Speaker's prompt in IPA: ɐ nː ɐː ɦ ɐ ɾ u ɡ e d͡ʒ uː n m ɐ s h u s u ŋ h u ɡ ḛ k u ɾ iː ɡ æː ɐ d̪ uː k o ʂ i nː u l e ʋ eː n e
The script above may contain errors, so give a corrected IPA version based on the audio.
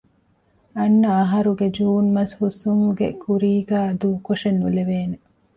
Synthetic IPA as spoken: ɐ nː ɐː ɦ ɐ ɾ u ɡ e d͡ʒ uː n m ɐ s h u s u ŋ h u ɡ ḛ k u ɾ iː ɡ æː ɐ d̪ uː k o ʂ e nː u l e ʋ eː n e